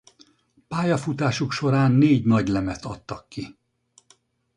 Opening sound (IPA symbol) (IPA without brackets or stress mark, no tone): p